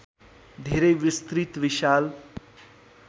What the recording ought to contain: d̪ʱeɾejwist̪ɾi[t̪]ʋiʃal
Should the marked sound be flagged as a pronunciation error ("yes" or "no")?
no